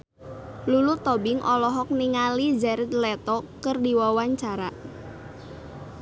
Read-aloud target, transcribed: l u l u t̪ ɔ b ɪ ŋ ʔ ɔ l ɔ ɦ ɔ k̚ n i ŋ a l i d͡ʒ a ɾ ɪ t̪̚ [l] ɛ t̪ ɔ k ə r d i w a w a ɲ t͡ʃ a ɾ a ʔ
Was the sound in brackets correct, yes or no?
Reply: yes